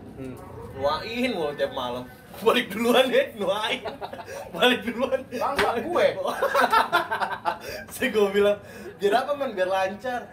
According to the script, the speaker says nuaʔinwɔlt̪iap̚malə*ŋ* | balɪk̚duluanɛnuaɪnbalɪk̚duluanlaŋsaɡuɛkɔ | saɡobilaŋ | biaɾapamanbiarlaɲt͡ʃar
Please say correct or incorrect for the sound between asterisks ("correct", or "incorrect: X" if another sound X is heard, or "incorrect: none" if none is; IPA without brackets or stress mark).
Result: incorrect: m